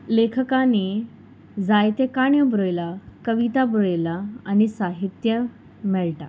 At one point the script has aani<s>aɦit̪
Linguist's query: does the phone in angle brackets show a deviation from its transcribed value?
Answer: no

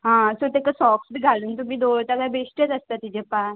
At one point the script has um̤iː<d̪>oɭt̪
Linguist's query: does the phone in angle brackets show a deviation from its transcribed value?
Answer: no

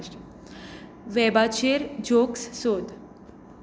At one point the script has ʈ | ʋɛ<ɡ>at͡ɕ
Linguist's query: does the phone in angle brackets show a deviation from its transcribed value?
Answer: yes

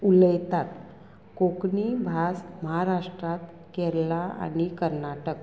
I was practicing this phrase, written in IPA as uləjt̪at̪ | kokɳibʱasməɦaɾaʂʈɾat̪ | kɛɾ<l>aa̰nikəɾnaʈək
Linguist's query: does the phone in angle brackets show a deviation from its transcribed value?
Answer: no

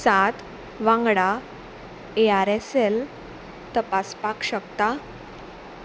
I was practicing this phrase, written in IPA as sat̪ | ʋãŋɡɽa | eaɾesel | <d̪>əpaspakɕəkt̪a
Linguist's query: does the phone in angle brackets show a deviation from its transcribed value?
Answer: yes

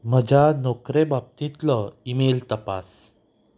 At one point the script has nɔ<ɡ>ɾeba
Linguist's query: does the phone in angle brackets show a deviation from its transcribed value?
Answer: yes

